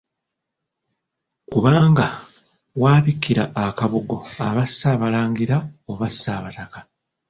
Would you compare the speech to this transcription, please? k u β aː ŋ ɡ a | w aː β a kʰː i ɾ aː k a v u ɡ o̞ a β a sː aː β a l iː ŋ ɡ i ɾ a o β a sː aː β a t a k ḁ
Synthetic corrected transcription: k u β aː ŋ ɡ a | w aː β i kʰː i ɾ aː k a β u ɡ o̞ a β a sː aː β a l aː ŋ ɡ i ɾ a o β a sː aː β a t a k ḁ